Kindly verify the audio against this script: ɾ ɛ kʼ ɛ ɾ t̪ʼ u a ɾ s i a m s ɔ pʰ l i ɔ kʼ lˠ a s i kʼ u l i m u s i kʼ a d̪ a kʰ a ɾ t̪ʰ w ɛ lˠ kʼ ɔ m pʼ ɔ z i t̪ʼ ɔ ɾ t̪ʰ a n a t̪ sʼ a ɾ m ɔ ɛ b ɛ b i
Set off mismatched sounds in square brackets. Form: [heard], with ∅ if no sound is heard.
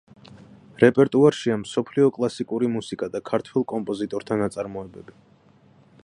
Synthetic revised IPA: ɾ ɛ [pʼ] ɛ ɾ t̪ʼ u a ɾ [ʃ] i a m s ɔ pʰ l i ɔ kʼ lˠ a s i kʼ u [ɾ] i m u s i kʼ a d̪ a kʰ a ɾ t̪ʰ w ɛ lˠ kʼ ɔ m pʼ ɔ z i t̪ʼ ɔ ɾ t̪ʰ a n a t̪ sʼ a ɾ m ɔ ɛ b ɛ b i

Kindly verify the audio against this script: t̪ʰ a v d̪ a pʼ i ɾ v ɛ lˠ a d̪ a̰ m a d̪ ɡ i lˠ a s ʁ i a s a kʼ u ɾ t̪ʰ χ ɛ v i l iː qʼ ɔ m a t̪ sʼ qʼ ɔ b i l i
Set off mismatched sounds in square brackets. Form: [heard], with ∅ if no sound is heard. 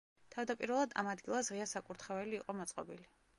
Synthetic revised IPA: t̪ʰ a v d̪ a pʼ i ɾ v ɛ lˠ a d̪ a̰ m a d̪ ɡ i lˠ a s ʁ i a s a kʼ u ɾ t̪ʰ χ ɛ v [ɛ] l iː qʼ ɔ m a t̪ sʼ qʼ ɔ b i l i

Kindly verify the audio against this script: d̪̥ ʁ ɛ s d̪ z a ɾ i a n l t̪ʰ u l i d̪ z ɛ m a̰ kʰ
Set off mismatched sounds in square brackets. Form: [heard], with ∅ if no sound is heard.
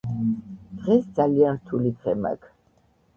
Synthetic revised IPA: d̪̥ ʁ ɛ s d̪ z a [l] i a n [ɾ] t̪ʰ u l i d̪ [ʁ] ɛ m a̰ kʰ

